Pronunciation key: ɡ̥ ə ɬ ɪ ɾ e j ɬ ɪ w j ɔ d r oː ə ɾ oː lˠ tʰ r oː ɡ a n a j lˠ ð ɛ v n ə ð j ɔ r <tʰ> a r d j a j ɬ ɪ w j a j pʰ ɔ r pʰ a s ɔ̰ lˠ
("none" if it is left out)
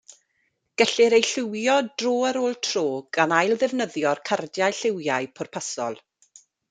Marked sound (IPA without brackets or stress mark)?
kʰ